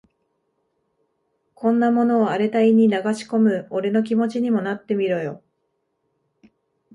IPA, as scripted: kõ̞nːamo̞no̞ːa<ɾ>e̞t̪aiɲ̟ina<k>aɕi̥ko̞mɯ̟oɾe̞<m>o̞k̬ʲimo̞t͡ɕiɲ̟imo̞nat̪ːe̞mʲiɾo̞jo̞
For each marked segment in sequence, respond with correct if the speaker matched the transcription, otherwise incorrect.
correct, incorrect, incorrect

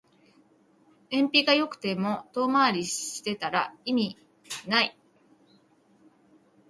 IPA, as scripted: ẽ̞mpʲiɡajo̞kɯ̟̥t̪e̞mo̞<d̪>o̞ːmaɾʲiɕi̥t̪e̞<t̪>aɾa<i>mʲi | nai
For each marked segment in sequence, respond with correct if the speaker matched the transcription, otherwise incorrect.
incorrect, correct, correct

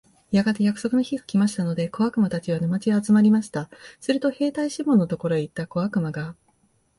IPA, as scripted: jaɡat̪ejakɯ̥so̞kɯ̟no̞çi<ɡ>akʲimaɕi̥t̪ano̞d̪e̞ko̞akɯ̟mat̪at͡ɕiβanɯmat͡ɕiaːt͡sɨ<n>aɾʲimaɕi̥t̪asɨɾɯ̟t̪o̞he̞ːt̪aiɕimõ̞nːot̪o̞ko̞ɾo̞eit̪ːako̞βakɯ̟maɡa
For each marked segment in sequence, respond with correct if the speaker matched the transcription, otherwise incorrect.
correct, incorrect

